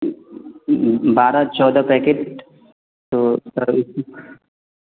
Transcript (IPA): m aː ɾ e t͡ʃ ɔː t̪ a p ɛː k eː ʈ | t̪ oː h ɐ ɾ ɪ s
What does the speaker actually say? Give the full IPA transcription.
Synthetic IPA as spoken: b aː ɾ a t͡ʃ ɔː d̪ a p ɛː k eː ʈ | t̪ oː s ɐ ɾ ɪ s